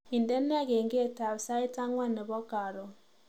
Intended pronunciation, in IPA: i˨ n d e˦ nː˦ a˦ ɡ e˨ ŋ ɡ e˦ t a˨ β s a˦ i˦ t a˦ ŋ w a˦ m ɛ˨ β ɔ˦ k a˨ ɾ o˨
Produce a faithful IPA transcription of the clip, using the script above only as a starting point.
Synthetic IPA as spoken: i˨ n d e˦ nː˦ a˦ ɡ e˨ ŋ ɡ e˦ t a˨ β s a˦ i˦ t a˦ ŋ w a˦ n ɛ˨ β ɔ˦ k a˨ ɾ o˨